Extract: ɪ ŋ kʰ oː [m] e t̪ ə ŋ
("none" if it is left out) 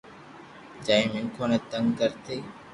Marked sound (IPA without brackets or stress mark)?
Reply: n